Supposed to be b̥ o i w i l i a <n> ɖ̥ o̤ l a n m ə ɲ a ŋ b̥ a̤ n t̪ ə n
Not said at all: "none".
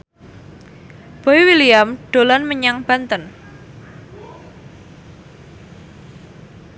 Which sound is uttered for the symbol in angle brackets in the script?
m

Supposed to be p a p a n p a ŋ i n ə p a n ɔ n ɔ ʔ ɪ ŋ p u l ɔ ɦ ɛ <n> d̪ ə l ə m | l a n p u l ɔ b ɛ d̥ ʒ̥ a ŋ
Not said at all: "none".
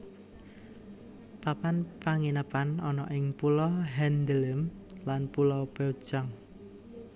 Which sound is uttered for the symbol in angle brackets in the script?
n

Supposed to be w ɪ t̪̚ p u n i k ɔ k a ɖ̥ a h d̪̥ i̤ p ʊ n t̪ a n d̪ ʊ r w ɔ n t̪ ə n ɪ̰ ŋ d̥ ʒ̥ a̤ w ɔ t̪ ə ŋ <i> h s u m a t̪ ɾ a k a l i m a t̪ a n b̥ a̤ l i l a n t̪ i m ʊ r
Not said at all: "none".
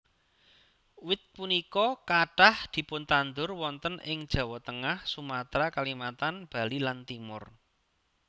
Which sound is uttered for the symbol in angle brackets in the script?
a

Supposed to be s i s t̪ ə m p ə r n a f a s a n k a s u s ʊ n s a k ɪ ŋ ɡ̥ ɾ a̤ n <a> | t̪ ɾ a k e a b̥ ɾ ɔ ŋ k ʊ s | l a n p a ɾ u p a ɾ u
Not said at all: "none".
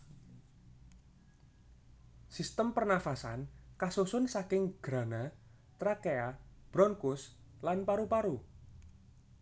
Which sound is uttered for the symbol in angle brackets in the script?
a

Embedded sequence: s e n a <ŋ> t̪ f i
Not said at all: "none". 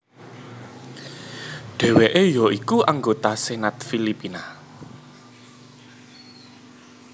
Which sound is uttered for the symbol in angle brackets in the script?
none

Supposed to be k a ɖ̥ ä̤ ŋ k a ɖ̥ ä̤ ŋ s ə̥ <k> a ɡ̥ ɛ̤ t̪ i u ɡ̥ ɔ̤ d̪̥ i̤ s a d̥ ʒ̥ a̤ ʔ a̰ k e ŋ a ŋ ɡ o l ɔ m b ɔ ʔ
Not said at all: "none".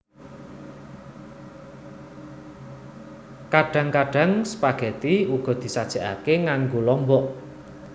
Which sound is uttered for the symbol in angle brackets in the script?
p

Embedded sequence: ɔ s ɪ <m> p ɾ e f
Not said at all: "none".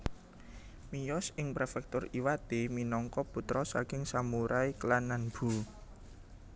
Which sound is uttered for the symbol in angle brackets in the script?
ŋ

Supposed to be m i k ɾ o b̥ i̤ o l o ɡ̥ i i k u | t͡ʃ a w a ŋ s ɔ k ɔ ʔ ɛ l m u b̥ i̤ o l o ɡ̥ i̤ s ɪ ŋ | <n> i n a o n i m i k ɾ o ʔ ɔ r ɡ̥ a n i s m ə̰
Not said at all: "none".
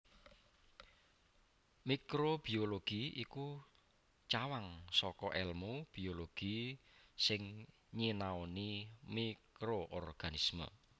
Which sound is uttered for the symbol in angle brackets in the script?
ɲ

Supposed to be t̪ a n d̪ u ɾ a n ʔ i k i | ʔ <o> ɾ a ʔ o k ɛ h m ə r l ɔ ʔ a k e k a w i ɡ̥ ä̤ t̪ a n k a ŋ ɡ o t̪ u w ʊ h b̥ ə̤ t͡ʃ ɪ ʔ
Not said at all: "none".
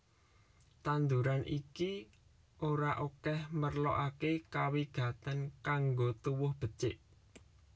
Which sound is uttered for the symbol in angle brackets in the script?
o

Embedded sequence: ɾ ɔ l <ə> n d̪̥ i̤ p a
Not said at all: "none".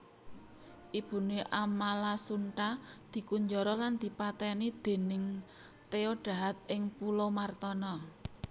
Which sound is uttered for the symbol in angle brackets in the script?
a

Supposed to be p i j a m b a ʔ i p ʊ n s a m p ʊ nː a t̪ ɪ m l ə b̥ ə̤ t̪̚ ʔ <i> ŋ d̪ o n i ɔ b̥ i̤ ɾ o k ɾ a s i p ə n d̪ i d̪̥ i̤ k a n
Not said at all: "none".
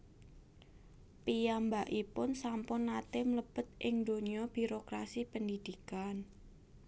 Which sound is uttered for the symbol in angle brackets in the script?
ɪ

